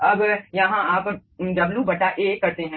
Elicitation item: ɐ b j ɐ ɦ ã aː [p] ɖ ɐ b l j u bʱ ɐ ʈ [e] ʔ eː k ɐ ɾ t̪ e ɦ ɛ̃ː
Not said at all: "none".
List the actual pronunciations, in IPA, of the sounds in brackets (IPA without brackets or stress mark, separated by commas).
p, a